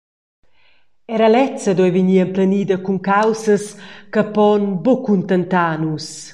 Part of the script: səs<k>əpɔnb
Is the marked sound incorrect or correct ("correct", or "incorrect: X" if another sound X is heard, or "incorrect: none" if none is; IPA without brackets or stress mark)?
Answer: correct